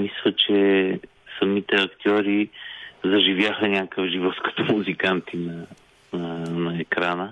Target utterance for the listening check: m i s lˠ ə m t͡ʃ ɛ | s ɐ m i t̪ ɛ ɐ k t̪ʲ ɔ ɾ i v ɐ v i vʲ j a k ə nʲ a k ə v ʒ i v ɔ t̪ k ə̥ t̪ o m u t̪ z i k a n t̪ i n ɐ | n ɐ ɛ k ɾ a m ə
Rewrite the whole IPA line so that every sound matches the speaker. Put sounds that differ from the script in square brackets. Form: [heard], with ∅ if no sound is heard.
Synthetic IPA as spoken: m i s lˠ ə [∅] t͡ʃ ɛ | s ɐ m i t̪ ɛ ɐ k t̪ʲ ɔ ɾ i [z] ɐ [ʒ] i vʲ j a [x] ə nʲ a k ə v ʒ i v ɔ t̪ k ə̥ t̪ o m u [∅] z i k a n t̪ i n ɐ | n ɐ ɛ k ɾ a [n] ə